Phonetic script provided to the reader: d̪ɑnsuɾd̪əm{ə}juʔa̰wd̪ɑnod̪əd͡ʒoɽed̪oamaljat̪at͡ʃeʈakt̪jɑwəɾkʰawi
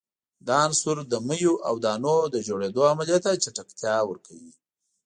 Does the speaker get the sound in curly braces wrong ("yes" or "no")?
no